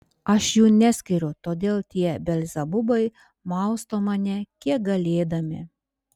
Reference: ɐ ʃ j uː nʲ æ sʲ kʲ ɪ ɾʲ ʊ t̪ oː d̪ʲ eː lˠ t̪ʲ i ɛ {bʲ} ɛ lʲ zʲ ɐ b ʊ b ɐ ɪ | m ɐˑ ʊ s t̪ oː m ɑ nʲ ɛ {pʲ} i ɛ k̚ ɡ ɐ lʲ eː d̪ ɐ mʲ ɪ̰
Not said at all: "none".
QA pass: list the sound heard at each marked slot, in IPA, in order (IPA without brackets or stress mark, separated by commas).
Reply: bʲ, kʲ